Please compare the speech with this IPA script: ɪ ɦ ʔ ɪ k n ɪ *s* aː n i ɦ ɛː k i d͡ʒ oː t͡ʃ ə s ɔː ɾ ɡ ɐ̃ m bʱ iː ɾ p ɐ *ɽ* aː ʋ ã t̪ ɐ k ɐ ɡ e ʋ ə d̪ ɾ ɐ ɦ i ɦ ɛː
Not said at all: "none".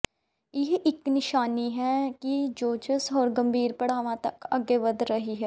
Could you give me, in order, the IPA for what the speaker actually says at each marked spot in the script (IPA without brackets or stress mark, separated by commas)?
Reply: ʃ, ɽ